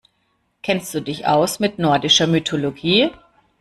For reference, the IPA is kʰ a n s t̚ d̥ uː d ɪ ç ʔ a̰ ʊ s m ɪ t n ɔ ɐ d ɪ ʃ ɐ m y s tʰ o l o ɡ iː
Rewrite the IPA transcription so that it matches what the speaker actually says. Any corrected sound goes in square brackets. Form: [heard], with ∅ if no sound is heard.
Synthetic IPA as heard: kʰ [ɛ] n s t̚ d̥ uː d ɪ ç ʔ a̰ ʊ s m ɪ t n ɔ ɐ d ɪ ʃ ɐ m y [∅] tʰ o l o ɡ iː